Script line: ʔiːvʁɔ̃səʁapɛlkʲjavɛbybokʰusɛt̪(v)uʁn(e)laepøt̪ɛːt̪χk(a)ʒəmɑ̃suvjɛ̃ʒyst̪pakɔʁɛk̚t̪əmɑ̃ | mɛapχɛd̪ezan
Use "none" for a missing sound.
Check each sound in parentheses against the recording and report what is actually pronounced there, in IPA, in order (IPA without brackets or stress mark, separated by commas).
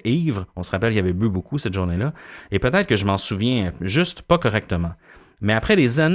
ʒ, e, ə